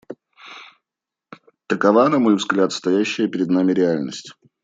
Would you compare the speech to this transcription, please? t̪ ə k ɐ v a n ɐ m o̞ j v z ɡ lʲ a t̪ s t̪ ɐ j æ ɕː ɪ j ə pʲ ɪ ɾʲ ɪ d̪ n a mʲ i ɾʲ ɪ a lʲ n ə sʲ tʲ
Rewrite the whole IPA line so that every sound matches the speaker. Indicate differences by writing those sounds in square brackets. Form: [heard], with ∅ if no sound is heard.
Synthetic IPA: t̪ ə k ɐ v a n ɐ m o̞ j v z ɡ lʲ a t̪ s t̪ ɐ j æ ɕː ɪ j ə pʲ ɪ ɾʲ ɪ d̪ n a mʲ [ɪ] ɾʲ ɪ a lʲ n ə sʲ tʲ